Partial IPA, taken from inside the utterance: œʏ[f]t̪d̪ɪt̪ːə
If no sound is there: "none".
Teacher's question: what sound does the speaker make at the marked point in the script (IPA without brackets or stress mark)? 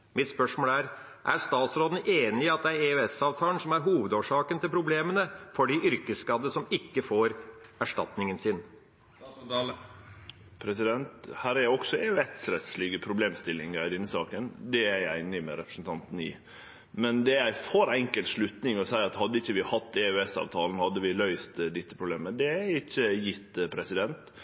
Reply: s